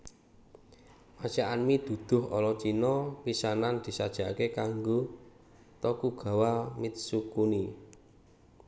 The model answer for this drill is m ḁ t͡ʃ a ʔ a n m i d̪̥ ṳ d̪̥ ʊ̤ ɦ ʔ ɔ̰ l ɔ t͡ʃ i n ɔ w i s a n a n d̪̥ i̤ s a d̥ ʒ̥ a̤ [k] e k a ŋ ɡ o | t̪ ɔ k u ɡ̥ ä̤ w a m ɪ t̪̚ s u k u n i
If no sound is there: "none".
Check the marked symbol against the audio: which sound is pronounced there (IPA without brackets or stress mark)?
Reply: k